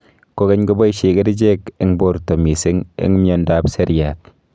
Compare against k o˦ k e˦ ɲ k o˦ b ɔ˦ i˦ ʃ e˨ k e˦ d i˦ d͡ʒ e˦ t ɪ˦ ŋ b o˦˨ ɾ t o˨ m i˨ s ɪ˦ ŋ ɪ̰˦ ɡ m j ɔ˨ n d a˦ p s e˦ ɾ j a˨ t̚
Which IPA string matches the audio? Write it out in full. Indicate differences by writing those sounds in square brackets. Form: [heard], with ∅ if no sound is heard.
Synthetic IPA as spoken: k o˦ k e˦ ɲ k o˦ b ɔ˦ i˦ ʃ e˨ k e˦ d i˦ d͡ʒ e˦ [k] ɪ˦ ŋ b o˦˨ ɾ t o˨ m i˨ s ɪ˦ ŋ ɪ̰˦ [ŋ] m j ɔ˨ n d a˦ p s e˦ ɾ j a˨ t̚